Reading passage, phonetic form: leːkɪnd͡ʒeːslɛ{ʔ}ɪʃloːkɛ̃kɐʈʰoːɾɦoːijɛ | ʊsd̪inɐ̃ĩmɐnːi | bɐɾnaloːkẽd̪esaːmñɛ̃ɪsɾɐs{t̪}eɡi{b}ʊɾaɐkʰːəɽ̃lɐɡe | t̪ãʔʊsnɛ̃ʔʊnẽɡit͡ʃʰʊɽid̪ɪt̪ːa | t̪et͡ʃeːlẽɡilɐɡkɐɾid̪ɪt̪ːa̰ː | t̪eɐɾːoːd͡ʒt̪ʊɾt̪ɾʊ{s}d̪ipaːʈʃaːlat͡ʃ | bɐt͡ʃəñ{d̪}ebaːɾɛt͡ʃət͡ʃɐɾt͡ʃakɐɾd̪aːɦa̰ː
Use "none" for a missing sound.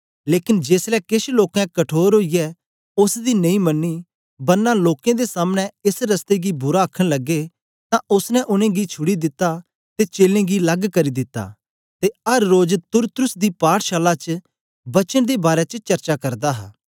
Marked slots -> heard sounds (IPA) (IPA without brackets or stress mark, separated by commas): k, t̪, b, s, d̪